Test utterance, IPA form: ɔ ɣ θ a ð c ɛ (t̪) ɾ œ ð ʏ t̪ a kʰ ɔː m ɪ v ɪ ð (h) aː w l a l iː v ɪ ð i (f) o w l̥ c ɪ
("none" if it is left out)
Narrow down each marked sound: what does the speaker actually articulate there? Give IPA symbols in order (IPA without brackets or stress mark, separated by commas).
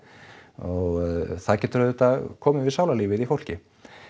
t̪, s, f